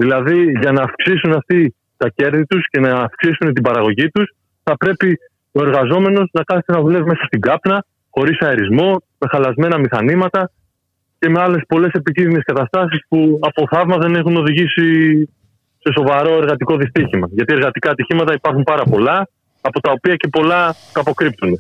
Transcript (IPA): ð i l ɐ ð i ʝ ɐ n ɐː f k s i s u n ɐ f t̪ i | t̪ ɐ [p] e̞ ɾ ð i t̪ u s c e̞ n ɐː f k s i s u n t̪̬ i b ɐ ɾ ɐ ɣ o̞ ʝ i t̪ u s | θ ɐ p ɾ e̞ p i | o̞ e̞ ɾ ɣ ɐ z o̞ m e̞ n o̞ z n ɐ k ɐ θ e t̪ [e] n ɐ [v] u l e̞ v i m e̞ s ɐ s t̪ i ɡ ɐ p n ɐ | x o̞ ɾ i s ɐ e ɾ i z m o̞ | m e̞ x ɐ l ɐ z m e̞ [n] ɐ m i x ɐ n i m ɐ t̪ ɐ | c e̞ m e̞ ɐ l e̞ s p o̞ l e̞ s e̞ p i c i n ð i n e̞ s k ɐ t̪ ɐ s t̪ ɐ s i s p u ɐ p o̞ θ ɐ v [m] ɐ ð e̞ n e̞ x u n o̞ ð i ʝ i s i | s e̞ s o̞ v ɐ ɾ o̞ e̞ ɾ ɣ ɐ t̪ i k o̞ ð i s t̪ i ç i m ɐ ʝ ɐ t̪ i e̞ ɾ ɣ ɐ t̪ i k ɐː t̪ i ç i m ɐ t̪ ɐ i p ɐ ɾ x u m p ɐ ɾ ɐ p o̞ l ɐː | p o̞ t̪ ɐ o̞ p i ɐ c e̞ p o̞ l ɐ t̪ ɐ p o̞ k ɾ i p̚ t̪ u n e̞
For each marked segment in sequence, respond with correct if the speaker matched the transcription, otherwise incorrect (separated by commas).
incorrect, correct, incorrect, correct, correct